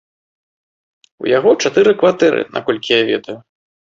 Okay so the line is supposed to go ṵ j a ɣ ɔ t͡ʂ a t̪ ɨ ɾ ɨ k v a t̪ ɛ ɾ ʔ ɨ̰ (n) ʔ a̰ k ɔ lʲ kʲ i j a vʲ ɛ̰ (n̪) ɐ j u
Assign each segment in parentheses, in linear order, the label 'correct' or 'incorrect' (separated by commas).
correct, incorrect